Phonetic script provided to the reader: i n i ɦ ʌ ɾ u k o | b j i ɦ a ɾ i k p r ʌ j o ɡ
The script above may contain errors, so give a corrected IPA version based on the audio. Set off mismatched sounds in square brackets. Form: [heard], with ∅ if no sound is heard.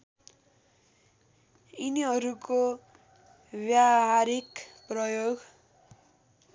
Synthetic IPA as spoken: i n i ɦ ʌ ɾ u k o | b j [a] ɦ a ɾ i k p r ʌ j o ɡ